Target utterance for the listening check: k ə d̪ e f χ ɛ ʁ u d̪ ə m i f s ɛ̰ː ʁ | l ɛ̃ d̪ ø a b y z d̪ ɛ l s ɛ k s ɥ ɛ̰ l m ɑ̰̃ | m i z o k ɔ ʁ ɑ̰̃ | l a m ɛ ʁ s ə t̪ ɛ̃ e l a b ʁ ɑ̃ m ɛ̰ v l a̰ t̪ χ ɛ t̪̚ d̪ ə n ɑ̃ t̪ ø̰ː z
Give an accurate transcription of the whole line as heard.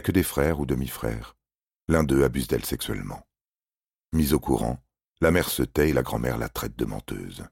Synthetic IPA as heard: k ə d̪ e f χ ɛ ʁ u d̪ ə m i f χ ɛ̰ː ʁ | l ɛ̃ d̪ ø a b y z d̪ ɛ l s ɛ k s ɥ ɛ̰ l m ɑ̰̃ | m i z o k u ʁ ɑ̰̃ | l a m ɛ ʁ s ə t̪ ɛ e l a ɡ ʁ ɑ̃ m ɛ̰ ʁ l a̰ t̪ χ ɛ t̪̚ d̪ ə m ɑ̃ t̪ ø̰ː z